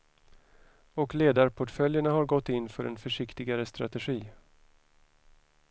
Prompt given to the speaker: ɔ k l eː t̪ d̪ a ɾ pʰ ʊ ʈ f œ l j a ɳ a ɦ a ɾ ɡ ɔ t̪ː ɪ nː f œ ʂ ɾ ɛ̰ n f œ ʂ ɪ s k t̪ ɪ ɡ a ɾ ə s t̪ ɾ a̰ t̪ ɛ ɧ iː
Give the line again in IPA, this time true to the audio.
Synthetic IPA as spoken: ɔ k l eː d̪ a ɾ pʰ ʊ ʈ f œ l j ə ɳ a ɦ a ɾ ɡ ɔ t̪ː ɪ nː f œ ɾ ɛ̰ n f œ ʂ ɪ k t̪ ɪ ɡ a ɾ ə s t̪ ɾ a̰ t̪ ɛ ɧ iː